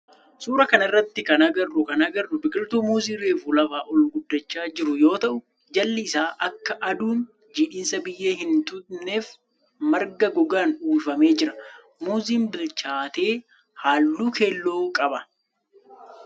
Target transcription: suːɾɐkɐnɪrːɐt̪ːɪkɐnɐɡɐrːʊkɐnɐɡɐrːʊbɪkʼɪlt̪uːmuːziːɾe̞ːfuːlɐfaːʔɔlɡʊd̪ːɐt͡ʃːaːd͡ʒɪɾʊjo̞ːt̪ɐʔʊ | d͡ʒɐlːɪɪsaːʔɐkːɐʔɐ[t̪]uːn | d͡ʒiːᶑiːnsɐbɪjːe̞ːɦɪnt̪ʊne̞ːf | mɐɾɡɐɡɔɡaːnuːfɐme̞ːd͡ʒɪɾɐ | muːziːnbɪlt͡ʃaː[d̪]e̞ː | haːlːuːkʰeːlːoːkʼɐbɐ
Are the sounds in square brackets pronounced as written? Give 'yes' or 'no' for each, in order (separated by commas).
no, no